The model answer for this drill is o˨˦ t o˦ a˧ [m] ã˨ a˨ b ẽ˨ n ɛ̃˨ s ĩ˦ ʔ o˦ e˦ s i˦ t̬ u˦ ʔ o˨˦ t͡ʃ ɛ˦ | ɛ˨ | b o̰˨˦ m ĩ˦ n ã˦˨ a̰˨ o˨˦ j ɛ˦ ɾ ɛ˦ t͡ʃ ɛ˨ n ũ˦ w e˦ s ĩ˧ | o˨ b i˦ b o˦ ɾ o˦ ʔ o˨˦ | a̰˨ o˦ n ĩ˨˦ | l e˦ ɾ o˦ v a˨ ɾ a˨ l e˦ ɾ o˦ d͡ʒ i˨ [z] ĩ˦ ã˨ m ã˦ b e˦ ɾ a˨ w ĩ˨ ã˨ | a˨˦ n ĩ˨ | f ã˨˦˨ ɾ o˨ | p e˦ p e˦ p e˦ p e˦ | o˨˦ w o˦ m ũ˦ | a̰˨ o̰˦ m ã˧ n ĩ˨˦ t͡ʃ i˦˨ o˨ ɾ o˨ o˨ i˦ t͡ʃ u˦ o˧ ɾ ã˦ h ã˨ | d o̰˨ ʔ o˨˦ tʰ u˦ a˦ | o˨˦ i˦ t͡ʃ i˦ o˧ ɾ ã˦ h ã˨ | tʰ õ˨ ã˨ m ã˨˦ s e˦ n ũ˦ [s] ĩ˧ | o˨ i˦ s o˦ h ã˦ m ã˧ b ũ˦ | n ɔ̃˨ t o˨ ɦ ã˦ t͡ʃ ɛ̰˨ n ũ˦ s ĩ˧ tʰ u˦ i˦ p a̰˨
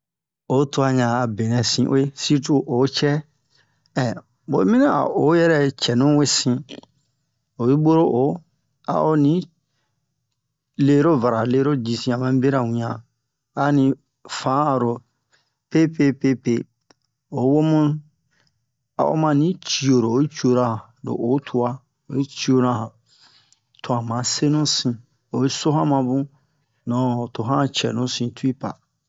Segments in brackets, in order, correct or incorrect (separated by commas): incorrect, incorrect, correct